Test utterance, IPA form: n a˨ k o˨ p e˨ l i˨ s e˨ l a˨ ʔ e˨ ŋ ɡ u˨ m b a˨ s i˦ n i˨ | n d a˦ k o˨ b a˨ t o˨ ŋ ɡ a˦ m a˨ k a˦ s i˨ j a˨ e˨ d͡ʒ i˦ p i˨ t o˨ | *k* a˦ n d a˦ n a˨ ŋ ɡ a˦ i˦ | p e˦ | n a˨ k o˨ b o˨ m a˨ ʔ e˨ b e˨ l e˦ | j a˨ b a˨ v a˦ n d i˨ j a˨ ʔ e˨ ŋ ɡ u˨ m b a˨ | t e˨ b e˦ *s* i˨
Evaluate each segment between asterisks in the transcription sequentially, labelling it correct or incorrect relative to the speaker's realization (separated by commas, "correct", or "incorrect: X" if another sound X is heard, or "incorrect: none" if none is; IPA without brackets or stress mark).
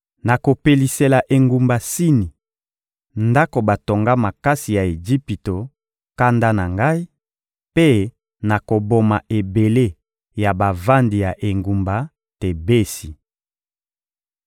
correct, correct